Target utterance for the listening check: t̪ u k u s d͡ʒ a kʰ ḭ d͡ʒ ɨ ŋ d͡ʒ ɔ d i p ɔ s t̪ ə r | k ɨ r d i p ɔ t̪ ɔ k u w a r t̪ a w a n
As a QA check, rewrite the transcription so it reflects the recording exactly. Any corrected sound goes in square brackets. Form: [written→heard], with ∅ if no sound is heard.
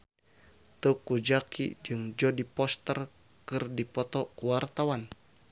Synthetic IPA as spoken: t̪ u k u [s→∅] d͡ʒ a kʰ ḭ d͡ʒ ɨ ŋ d͡ʒ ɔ d i p ɔ s t̪ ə r | k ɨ r d i p ɔ t̪ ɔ k u w a r t̪ a w a n